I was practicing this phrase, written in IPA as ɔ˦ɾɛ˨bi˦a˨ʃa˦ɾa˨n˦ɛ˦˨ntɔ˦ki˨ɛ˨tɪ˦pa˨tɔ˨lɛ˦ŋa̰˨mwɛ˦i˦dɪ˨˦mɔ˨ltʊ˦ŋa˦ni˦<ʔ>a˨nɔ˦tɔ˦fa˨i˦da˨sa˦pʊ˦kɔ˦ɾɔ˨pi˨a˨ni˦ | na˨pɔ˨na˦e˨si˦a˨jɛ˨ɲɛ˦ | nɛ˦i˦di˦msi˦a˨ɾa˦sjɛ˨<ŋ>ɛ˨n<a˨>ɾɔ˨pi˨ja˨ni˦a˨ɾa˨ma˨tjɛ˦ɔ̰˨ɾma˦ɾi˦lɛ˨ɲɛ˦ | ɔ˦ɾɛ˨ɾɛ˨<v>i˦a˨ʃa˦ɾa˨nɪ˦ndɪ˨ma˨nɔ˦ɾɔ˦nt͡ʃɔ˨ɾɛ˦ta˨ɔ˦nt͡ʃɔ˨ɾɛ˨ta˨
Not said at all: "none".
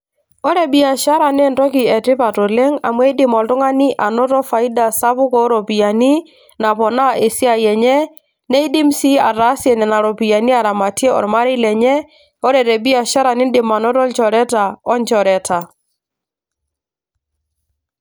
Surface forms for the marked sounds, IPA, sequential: ʔ, n, a˨, b

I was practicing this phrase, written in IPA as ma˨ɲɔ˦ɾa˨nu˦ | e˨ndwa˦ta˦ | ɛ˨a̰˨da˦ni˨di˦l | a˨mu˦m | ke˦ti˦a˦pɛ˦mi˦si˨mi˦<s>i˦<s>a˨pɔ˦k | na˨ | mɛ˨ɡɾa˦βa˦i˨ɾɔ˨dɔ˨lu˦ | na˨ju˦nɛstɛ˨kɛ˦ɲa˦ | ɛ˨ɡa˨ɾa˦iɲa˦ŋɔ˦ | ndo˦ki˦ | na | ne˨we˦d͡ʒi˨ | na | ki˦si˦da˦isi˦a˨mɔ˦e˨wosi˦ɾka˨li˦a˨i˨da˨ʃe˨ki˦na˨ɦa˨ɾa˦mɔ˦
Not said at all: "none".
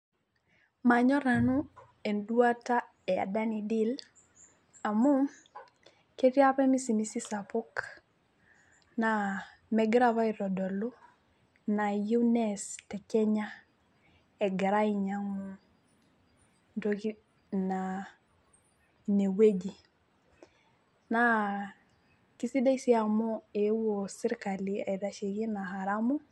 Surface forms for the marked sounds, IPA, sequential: s, s

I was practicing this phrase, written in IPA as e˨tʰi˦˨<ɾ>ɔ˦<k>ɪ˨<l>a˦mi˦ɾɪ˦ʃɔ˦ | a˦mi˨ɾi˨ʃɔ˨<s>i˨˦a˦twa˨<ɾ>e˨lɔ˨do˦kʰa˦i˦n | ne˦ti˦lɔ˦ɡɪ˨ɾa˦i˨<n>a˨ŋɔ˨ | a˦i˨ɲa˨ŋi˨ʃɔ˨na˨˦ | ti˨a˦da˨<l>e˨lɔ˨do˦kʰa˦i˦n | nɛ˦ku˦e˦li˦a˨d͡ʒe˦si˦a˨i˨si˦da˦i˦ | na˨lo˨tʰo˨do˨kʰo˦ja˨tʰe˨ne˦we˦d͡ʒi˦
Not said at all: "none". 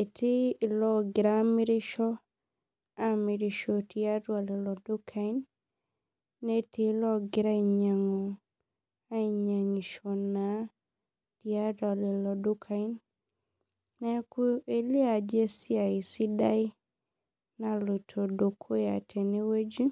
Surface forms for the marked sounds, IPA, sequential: l, ɡ, ɾ, t, l, ɲ, l

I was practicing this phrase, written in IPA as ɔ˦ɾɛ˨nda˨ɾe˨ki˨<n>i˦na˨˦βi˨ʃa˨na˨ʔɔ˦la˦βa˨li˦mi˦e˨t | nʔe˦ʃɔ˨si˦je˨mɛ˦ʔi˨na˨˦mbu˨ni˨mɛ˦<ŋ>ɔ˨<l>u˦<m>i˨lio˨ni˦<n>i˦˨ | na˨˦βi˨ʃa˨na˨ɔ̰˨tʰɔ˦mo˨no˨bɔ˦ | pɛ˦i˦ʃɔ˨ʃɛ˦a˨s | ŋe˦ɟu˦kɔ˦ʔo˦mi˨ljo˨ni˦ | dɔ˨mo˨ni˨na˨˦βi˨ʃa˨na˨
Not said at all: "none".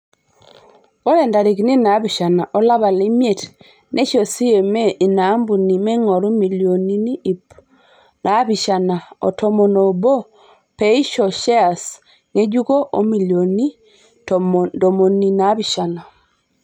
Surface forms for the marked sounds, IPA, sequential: n, ŋ, ɾ, m, n

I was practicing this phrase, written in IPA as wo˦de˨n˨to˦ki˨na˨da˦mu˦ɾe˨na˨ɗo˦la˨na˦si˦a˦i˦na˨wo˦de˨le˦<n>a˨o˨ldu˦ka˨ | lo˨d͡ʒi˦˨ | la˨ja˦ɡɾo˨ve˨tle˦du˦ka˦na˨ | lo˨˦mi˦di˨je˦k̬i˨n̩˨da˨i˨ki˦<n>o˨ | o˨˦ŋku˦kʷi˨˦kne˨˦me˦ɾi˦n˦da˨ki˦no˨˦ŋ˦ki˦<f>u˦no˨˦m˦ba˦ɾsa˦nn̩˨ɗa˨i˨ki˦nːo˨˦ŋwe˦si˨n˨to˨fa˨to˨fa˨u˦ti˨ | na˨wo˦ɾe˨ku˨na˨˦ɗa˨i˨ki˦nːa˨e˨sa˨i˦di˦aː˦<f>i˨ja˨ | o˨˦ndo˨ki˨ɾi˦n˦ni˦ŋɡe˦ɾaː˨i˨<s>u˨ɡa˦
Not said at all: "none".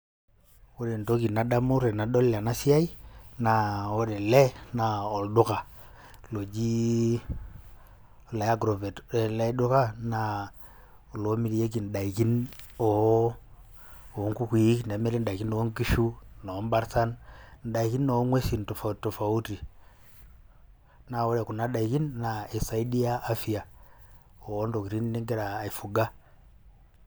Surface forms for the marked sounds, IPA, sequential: n, n, ʃ, f, f

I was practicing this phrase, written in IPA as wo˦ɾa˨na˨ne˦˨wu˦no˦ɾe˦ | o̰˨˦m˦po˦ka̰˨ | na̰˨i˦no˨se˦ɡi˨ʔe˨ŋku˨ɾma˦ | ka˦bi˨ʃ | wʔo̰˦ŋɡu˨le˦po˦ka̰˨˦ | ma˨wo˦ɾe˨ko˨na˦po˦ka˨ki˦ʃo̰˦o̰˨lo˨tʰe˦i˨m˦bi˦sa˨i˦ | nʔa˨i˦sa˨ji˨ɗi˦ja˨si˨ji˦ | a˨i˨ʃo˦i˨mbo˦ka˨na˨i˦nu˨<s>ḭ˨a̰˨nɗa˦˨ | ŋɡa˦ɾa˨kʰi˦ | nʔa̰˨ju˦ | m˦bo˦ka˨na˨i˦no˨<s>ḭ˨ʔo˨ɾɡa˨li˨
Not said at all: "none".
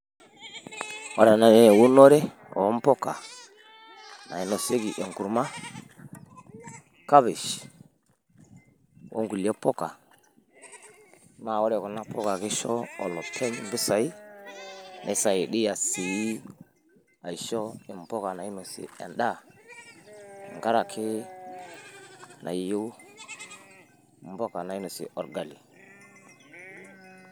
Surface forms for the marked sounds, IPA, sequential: s, s

